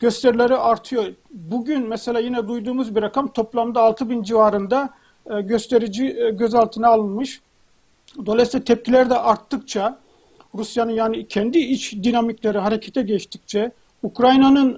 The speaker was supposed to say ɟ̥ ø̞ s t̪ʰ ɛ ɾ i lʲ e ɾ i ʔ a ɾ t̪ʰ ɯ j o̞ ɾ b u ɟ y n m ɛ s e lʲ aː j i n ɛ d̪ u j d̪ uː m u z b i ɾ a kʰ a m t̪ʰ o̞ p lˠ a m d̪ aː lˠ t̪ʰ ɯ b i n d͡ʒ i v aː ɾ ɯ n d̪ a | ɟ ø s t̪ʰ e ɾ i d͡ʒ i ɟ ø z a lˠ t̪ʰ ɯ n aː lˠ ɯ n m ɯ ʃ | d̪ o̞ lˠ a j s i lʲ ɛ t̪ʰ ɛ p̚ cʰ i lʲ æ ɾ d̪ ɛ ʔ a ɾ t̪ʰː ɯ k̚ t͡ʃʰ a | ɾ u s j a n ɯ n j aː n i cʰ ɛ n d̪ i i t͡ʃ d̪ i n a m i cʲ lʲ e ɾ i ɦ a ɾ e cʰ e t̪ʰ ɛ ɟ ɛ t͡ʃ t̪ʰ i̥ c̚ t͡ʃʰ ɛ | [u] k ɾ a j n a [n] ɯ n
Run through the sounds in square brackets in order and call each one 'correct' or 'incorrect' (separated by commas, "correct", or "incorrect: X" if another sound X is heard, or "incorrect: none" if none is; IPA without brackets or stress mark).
correct, correct